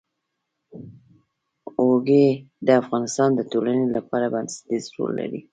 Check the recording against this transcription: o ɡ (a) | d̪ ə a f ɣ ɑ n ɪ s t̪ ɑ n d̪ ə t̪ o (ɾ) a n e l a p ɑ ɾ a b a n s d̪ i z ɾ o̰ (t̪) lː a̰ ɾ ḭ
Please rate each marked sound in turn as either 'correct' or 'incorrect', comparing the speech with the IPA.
incorrect: e, incorrect: l, incorrect: none

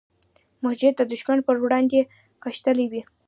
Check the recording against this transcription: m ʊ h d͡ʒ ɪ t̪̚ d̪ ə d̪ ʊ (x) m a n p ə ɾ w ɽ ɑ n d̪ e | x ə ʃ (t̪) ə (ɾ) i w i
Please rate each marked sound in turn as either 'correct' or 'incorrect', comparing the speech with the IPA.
incorrect: ʃ, correct, incorrect: l

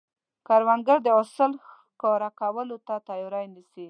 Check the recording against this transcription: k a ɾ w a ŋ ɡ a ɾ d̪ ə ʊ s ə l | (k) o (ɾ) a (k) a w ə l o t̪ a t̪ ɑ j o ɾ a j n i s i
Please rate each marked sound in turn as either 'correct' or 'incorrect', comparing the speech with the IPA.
correct, correct, correct

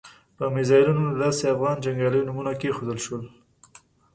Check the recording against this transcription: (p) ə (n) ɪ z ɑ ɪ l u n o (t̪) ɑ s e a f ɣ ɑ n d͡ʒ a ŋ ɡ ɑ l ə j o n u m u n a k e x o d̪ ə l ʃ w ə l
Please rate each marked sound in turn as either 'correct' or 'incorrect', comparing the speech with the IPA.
correct, incorrect: m, incorrect: d̪

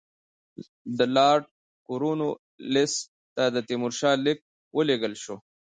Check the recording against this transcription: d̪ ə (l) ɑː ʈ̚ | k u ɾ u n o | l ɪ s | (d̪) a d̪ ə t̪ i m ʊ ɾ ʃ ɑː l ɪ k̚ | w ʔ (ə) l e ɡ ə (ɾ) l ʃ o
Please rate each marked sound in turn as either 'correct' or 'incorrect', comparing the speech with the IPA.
correct, incorrect: t̪, correct, incorrect: none

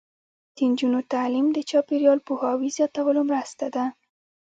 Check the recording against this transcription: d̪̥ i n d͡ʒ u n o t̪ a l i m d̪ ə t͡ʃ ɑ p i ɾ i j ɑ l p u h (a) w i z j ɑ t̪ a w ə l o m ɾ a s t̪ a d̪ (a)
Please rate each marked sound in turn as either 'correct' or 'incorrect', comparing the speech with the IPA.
incorrect: ɑ, correct

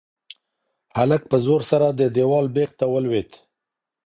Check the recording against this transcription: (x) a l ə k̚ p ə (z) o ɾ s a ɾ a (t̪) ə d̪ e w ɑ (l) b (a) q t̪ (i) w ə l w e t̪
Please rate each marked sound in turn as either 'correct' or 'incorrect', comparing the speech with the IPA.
incorrect: h, correct, incorrect: d̪, correct, incorrect: e, incorrect: a

